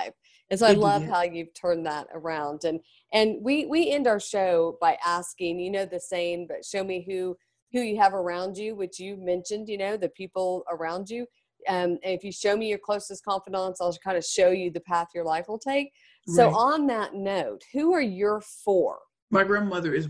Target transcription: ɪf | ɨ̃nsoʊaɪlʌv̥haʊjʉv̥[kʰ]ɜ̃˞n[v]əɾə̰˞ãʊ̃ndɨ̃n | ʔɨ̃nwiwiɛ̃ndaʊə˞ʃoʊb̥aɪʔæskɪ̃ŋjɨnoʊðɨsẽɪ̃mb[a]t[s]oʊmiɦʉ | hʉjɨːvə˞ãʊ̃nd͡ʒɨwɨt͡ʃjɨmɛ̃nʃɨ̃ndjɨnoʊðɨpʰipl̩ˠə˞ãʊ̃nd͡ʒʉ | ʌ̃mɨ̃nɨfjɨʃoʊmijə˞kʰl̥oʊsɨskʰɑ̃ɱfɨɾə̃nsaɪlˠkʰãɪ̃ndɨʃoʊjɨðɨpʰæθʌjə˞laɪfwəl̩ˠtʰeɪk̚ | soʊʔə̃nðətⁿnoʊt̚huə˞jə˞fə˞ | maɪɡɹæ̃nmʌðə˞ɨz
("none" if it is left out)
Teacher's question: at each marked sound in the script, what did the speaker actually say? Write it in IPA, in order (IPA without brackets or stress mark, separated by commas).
tʰ, ð, ʌ, ʃ